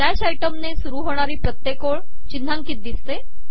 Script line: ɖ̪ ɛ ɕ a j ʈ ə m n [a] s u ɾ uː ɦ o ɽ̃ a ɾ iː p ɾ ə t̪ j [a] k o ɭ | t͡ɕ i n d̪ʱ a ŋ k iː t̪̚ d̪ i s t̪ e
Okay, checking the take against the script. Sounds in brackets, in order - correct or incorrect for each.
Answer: incorrect: e, incorrect: e

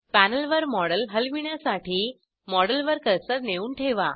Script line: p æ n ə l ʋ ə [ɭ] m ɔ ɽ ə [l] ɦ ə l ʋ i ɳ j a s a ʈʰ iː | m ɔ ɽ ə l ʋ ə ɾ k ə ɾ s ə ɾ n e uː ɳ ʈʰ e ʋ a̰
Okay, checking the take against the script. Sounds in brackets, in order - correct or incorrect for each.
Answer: incorrect: ɾ, correct

